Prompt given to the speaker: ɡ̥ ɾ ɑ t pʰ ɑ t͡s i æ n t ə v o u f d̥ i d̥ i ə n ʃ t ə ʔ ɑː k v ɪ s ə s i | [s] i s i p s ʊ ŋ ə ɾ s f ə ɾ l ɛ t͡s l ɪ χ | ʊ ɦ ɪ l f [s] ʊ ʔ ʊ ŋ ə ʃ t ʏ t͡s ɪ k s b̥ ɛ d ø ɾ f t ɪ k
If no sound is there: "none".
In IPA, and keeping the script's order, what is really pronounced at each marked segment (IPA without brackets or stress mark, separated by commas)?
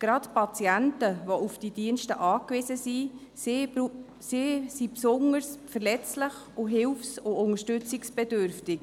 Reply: s, s